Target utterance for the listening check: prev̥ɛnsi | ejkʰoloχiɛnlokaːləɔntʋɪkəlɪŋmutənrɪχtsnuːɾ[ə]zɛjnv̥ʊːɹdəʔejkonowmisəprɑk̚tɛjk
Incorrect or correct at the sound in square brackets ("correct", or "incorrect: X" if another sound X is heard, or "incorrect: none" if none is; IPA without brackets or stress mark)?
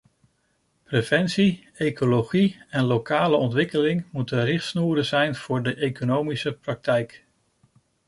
correct